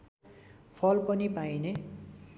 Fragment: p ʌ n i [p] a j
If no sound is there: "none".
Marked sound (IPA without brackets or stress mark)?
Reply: p